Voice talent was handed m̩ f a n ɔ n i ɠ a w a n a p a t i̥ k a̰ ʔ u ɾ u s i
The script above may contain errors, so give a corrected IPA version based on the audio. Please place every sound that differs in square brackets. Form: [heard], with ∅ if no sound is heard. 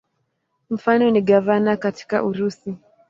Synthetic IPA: m̩ f a n ɔ n i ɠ a [v] a n a [k] a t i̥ k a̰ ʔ u ɾ u s i